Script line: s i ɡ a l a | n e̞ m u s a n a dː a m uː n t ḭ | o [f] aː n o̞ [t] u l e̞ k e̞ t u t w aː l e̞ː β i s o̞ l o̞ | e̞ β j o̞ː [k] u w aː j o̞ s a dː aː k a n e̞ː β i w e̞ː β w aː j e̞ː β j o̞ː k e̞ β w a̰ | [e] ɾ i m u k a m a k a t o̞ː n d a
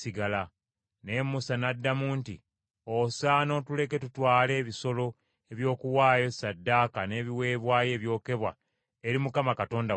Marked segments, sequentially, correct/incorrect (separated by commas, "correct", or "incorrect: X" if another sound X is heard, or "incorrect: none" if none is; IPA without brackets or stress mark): incorrect: s, correct, correct, correct